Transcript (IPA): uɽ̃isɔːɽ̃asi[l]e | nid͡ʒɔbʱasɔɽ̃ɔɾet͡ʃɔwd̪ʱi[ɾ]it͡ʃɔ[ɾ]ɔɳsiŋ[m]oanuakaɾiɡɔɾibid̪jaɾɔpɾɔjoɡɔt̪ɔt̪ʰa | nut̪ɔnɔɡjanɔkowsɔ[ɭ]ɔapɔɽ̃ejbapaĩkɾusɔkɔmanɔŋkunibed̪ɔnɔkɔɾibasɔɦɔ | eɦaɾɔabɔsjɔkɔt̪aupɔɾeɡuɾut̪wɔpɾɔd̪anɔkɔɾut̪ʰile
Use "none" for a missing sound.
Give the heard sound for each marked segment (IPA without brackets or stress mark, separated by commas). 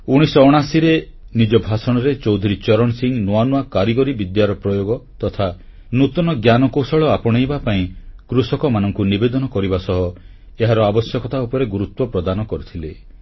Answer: ɾ, ɾ, ɾ, n, ɭ